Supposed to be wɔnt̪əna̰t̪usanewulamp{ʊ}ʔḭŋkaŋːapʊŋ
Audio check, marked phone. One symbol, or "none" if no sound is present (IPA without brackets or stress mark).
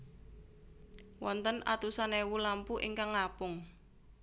u